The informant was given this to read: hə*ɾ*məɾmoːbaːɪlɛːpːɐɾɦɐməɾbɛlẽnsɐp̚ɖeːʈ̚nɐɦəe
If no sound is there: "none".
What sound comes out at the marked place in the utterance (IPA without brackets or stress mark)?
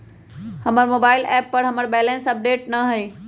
none